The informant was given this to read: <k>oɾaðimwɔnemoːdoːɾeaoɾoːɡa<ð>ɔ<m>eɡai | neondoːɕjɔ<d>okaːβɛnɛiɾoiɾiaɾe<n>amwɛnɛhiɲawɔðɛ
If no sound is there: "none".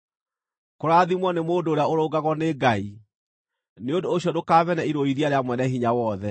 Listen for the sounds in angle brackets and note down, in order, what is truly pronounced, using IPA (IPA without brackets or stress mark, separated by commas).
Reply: k, ɣ, n, d, none